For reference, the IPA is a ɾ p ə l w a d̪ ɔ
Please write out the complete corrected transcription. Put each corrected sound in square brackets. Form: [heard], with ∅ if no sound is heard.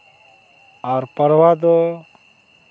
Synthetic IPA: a ɾ p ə [ɾ] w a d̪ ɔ